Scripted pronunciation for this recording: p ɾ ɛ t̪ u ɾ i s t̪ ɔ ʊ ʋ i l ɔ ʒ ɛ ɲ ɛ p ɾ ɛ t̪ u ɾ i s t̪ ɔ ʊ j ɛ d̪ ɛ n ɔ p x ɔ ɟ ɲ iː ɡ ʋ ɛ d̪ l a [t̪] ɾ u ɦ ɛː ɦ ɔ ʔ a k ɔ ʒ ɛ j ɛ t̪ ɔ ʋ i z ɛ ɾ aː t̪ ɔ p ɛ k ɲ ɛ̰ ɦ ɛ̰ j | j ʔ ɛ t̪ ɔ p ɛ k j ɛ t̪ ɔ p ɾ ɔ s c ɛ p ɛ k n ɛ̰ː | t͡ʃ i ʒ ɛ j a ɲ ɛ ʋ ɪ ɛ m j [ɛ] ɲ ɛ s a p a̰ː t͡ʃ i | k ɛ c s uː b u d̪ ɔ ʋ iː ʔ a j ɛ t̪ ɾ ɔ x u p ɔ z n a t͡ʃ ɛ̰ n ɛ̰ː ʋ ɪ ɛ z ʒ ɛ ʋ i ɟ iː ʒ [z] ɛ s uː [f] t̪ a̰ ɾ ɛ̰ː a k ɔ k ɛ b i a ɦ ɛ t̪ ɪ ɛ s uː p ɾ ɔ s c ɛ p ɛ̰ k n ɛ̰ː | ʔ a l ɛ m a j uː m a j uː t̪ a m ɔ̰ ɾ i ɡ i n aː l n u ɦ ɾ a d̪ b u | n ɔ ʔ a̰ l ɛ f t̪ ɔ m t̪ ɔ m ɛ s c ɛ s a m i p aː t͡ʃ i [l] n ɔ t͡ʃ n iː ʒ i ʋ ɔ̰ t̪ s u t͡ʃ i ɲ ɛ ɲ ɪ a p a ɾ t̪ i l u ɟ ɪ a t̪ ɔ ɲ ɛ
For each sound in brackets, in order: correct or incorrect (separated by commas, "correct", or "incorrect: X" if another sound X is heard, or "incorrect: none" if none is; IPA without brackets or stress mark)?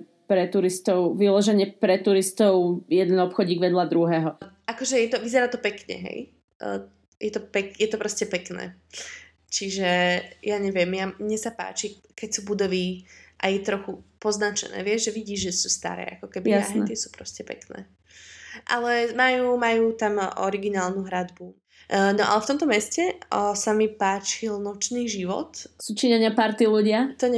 incorrect: d̪, incorrect: a, incorrect: ʒ, incorrect: s, correct